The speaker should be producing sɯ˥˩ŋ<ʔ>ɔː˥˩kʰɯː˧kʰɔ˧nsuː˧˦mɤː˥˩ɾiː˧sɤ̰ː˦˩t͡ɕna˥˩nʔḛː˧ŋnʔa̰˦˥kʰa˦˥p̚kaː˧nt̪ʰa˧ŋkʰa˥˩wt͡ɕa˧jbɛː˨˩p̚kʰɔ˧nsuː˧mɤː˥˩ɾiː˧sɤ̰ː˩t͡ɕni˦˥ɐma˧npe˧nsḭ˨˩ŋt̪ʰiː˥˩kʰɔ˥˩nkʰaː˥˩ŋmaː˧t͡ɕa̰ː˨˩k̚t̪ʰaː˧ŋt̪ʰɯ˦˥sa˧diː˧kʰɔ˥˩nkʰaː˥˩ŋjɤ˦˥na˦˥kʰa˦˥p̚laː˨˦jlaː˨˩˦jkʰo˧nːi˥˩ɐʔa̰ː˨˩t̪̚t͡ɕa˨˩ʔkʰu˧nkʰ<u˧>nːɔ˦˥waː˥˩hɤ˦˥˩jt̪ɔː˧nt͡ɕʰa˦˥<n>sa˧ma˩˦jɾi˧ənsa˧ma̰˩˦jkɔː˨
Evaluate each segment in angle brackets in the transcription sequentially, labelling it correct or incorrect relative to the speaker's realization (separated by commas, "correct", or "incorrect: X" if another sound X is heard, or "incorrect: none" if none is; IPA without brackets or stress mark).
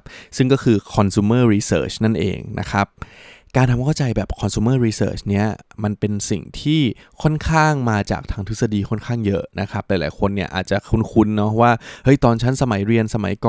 incorrect: k, correct, correct